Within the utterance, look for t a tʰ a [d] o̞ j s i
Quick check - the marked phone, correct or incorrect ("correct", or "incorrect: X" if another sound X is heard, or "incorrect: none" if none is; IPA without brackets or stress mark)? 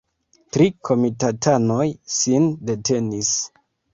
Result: incorrect: n